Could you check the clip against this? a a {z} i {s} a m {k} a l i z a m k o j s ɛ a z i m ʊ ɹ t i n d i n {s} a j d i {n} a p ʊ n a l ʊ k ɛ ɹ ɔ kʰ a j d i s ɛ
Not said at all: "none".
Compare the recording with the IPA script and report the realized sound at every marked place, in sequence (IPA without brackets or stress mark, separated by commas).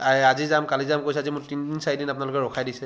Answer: z, z, k, s, n